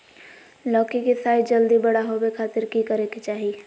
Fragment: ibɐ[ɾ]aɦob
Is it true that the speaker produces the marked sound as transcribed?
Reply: no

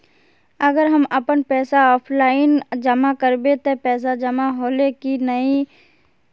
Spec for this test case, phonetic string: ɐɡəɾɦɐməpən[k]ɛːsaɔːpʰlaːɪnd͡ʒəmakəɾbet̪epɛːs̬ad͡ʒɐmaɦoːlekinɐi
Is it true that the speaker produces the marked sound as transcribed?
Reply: no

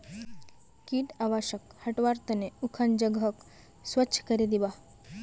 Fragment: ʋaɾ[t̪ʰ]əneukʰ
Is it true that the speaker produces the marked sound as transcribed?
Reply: no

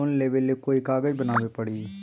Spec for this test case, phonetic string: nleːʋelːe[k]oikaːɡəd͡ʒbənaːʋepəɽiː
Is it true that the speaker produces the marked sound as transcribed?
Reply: yes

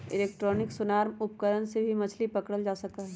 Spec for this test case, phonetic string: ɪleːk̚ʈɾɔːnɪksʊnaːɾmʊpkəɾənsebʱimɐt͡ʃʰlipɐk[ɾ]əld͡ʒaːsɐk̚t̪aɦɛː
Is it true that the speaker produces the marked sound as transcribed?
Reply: no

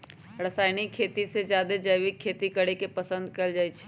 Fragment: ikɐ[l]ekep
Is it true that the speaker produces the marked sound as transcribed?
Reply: no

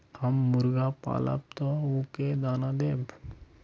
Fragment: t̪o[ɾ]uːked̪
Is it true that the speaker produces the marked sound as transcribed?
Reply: no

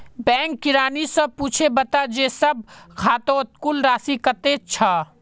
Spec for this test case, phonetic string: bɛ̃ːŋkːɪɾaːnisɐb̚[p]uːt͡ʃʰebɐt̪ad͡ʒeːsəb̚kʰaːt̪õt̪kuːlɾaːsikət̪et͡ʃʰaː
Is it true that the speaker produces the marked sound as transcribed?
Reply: yes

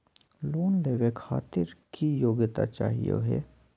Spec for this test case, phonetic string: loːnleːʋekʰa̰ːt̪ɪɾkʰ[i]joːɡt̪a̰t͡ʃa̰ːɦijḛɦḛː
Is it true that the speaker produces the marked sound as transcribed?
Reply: yes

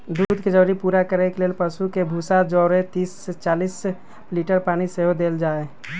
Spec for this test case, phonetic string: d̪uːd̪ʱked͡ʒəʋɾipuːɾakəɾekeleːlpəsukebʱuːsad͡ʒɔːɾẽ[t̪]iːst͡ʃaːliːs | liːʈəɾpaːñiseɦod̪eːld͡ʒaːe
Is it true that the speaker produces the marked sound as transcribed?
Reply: yes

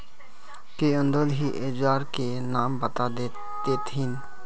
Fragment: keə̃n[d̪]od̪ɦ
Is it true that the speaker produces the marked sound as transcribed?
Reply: yes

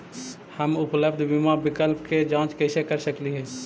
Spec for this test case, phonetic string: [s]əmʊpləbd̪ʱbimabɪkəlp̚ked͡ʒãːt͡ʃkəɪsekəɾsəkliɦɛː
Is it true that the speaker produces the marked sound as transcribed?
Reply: no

